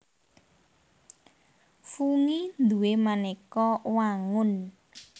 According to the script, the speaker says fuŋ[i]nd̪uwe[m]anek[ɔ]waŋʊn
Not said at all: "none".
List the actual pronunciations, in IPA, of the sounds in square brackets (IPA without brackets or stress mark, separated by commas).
i, m, ɔ